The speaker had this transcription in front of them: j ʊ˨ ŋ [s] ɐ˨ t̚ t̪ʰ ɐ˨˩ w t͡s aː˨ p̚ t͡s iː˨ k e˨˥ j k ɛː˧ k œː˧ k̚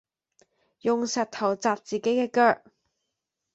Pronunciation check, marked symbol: correct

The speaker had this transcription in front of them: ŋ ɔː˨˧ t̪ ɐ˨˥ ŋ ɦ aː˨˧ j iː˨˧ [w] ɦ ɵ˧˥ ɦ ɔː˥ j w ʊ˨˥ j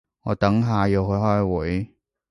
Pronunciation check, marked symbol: correct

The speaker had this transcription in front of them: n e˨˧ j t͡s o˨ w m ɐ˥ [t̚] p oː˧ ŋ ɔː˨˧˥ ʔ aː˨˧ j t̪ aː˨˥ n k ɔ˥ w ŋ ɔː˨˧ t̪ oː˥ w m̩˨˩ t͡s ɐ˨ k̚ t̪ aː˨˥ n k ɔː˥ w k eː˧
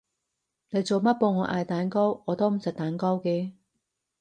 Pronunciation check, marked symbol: correct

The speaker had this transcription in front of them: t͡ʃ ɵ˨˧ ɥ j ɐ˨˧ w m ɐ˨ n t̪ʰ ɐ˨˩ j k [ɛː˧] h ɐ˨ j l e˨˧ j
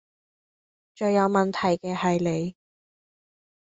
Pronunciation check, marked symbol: correct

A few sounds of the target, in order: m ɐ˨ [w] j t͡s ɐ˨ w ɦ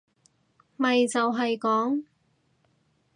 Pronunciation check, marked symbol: incorrect: none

